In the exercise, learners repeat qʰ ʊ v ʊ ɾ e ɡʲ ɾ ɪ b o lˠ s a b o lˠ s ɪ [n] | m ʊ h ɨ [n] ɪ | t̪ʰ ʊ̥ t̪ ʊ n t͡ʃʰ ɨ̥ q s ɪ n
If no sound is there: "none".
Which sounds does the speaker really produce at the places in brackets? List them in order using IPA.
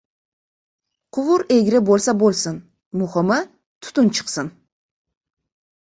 n, m

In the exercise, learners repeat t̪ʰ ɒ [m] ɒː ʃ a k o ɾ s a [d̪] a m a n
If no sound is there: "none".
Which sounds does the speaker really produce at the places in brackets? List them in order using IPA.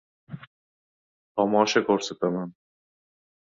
m, t̪

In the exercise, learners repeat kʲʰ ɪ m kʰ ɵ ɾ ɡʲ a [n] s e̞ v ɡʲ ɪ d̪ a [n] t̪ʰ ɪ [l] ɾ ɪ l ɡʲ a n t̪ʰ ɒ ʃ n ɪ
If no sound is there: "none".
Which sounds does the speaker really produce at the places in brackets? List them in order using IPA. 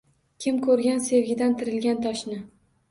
n, n, none

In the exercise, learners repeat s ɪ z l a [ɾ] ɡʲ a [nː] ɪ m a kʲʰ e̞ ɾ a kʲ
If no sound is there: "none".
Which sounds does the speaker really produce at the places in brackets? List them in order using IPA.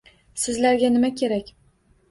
ɾ, n

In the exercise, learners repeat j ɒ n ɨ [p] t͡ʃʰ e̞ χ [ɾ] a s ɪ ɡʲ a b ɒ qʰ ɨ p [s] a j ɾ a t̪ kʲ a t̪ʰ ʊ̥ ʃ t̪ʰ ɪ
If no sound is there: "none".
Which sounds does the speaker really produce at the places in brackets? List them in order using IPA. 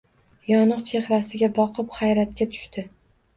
q, ɾ, χ

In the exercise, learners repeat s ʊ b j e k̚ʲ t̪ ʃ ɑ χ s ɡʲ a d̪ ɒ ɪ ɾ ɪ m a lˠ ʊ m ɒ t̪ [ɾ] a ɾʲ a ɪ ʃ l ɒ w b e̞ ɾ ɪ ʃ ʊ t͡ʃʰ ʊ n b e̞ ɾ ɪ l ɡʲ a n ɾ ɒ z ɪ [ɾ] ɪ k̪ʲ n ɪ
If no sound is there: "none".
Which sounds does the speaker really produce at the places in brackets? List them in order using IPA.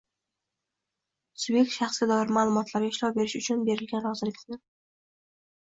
l, l

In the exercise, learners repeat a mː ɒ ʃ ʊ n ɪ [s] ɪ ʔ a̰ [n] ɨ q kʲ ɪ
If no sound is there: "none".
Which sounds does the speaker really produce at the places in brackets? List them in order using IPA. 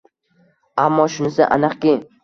s, n

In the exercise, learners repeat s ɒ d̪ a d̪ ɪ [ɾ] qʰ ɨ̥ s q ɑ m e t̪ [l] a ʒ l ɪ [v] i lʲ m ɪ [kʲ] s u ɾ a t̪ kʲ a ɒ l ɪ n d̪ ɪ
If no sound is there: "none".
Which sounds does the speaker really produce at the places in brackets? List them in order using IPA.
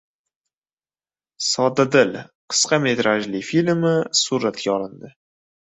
l, ɾ, f, none

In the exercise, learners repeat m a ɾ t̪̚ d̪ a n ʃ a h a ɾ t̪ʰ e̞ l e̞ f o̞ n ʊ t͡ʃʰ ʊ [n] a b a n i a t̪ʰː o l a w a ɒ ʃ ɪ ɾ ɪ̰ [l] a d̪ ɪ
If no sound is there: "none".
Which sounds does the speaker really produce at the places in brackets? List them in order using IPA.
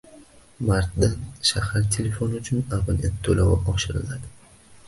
n, l

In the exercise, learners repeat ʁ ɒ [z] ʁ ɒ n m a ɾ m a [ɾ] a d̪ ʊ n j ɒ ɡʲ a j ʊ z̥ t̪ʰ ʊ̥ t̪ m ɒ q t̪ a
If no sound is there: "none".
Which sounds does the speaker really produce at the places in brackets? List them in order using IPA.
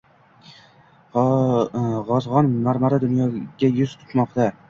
z, ɾ

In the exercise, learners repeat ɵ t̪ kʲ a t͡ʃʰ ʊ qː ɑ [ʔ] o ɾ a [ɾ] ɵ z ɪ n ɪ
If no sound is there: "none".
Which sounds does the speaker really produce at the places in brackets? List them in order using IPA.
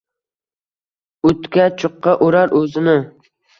ʔ, ɾ

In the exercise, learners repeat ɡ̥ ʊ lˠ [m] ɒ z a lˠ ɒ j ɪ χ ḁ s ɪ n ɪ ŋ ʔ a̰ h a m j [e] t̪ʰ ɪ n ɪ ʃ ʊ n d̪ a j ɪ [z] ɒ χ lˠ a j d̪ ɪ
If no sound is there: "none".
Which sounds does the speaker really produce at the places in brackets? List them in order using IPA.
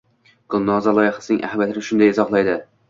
n, a, z

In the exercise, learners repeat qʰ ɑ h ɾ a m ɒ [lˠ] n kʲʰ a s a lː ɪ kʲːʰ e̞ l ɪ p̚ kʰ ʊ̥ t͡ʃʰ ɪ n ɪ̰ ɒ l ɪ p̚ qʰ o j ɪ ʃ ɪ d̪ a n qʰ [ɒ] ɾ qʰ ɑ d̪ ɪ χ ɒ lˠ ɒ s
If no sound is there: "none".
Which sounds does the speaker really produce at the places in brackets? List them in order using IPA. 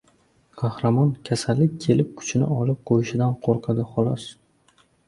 none, o

